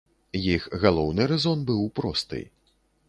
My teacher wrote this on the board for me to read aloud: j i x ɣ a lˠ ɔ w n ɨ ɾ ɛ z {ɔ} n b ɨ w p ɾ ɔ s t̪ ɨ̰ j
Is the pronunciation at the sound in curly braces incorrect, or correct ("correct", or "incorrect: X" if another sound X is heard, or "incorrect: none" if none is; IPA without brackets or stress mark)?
correct